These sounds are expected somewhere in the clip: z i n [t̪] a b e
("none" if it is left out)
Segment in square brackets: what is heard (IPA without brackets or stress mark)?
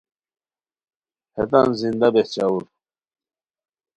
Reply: d̪